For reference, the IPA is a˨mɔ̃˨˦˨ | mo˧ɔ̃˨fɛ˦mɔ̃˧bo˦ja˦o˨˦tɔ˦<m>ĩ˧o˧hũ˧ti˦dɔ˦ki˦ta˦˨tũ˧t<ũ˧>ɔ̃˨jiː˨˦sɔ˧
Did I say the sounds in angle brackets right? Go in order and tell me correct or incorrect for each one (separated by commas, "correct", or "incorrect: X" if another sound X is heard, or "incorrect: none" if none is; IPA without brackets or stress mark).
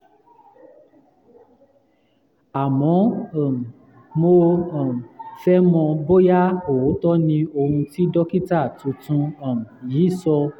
incorrect: n, correct